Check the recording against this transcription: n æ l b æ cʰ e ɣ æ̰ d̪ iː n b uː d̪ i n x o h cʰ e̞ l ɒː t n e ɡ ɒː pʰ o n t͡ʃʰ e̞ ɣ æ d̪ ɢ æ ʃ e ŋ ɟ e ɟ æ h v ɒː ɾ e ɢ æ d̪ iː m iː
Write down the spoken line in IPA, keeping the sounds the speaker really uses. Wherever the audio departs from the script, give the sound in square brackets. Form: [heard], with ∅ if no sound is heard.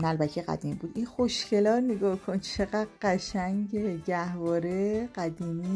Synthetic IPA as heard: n æ l b æ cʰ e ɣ æ̰ d̪ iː [m] b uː d̪ i n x o [ʃ] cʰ e̞ l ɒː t n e ɡ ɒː [kʰ] o n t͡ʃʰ e̞ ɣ æ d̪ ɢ æ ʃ [æ] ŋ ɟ e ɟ æ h v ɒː ɾ e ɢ æ d̪ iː m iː